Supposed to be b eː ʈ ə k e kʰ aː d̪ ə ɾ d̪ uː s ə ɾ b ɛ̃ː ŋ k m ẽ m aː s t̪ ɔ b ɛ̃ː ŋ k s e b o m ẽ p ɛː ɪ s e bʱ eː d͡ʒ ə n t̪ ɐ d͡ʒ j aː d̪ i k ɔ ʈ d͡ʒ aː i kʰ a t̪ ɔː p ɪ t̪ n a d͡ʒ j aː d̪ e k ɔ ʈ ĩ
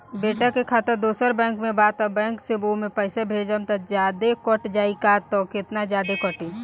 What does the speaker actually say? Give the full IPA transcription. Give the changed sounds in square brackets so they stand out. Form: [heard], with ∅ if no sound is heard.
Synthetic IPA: b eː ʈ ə k e kʰ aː [t̪] ə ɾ d̪ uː s ə ɾ b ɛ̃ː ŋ k m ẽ [b] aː [∅] t̪ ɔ b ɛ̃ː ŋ k s e b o m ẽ p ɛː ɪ s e bʱ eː d͡ʒ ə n t̪ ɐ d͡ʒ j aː d̪ [e] k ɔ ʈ d͡ʒ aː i [k] a t̪ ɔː [k] ɪ t̪ n a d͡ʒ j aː d̪ e k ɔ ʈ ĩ